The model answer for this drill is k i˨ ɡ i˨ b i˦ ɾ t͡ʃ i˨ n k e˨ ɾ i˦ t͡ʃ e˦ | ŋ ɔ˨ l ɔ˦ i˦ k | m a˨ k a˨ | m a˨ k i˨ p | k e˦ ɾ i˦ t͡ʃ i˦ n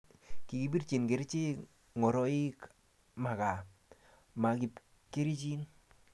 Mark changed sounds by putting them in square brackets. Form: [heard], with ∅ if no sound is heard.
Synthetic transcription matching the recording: k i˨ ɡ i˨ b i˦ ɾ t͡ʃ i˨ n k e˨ ɾ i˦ t͡ʃ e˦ | ŋ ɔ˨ [ɾ] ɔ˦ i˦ k | m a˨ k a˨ | m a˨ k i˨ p | k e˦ ɾ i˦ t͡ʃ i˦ n